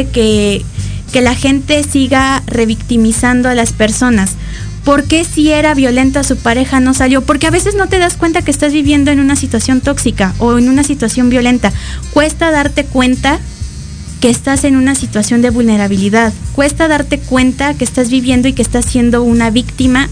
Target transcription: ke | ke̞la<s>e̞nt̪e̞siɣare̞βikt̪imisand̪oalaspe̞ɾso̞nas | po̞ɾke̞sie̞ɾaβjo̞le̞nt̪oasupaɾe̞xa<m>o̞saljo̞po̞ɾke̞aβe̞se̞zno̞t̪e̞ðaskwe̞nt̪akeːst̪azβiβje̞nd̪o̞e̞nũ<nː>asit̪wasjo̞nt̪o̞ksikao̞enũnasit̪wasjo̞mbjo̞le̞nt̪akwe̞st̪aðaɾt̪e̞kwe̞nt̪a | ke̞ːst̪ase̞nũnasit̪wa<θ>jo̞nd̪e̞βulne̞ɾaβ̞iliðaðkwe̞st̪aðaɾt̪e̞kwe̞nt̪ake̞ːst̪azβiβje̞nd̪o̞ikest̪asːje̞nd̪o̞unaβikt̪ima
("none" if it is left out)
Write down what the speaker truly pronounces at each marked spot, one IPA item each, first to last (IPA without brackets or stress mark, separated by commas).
x, n, n, s